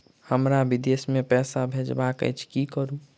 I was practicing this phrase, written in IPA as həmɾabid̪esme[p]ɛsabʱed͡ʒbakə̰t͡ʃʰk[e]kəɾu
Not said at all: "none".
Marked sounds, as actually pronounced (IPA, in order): p, i

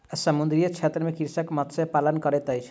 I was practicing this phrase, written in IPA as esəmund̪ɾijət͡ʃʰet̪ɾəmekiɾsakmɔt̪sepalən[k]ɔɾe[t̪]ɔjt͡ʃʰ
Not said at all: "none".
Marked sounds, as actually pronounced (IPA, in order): k, t̪

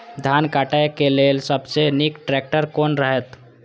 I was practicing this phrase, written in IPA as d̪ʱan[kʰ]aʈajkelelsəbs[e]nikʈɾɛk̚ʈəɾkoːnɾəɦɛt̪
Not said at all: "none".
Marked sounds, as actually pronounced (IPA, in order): k, e

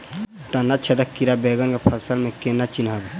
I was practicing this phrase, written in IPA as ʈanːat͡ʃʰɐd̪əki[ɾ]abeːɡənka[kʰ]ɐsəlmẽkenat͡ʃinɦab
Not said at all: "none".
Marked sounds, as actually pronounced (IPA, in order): ɾ, pʰ

